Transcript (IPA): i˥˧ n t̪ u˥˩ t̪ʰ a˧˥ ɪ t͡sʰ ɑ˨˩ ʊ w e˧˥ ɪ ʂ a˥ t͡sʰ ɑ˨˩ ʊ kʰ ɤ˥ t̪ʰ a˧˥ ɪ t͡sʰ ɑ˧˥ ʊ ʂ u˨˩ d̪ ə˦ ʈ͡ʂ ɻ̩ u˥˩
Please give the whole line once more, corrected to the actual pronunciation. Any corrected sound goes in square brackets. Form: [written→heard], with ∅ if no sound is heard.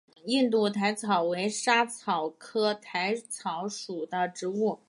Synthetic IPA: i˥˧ n t̪ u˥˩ t̪ʰ a˧˥ ɪ t͡sʰ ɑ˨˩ ʊ w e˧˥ ɪ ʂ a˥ t͡sʰ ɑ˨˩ ʊ kʰ ɤ˥ t̪ʰ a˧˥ ɪ t͡sʰ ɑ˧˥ ʊ ʂ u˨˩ d̪ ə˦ ʈ͡ʂ ɻ̩ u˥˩